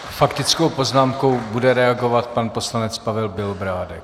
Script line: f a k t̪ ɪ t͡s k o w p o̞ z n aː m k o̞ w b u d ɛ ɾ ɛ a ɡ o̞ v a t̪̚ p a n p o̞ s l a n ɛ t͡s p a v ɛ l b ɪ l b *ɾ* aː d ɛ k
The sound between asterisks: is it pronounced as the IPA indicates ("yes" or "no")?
yes